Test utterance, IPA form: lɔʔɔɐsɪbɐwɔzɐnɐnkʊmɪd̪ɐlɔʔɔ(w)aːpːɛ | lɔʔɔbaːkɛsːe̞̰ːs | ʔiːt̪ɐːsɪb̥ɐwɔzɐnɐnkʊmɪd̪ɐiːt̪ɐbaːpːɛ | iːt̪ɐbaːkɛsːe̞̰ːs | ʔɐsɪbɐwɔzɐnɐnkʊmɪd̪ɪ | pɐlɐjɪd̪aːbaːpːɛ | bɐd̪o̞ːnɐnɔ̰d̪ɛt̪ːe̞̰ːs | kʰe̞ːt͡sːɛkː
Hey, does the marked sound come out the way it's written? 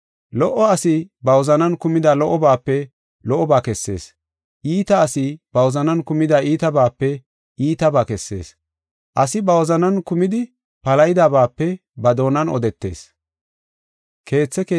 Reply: no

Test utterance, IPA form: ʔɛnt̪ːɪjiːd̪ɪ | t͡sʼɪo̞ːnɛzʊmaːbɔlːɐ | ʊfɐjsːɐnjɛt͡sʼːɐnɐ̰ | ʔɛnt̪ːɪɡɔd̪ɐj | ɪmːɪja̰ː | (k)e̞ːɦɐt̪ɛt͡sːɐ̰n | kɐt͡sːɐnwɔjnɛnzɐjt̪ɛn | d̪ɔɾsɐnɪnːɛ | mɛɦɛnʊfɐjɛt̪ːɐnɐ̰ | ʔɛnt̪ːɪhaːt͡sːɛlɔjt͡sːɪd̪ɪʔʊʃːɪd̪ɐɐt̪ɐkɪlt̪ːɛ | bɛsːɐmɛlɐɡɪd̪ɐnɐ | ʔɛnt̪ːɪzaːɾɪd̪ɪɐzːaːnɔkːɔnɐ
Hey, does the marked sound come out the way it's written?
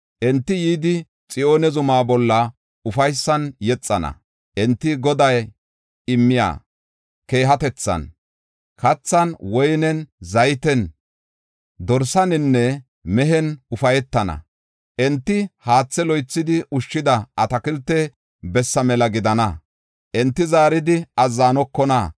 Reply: yes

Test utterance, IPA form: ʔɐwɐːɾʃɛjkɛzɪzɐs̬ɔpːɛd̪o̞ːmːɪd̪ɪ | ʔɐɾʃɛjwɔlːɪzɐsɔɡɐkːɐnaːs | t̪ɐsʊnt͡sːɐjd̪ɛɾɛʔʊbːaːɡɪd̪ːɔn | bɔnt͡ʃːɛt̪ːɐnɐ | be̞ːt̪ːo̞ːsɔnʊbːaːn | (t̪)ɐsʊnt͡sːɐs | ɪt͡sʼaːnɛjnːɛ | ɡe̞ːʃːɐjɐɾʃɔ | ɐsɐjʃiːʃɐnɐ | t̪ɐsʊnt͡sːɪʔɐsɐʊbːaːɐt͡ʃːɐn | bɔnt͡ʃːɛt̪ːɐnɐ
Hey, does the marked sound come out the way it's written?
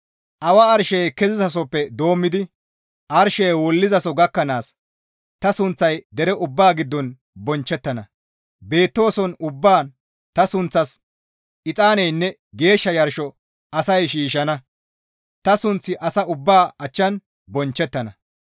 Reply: yes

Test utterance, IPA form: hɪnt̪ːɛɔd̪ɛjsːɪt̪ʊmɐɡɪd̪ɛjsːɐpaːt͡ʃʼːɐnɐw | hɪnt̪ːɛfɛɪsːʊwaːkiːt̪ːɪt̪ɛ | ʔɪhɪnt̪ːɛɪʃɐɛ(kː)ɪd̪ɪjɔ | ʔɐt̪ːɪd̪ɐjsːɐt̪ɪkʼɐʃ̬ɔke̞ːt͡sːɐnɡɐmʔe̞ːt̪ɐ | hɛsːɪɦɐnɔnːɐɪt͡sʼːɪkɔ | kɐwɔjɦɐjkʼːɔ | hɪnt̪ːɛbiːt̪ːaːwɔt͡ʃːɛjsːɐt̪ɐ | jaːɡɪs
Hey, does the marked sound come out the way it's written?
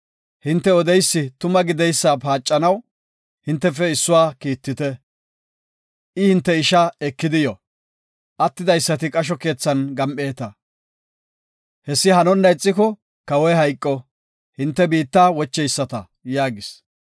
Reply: yes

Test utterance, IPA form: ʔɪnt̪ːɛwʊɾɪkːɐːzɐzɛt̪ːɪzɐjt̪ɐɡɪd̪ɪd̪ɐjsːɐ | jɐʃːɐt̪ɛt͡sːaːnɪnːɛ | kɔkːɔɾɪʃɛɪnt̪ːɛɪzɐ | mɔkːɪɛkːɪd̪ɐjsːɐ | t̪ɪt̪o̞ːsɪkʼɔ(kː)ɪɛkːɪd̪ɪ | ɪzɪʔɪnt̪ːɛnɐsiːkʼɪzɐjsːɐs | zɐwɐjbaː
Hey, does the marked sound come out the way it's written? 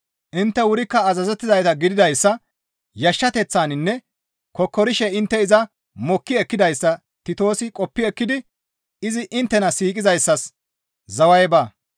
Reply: no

